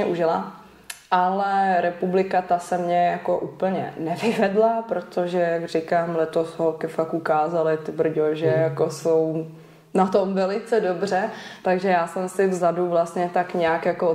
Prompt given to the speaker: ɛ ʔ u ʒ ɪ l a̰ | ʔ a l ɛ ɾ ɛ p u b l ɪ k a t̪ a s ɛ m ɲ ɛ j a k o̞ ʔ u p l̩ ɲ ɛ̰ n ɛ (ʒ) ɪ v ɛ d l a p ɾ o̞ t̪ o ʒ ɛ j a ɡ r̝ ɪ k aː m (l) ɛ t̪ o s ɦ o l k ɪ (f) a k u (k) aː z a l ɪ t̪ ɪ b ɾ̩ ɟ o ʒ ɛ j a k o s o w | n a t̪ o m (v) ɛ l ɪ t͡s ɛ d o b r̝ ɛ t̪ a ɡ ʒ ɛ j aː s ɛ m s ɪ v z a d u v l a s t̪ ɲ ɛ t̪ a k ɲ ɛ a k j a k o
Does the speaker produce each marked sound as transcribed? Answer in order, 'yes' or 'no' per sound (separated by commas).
no, yes, yes, yes, yes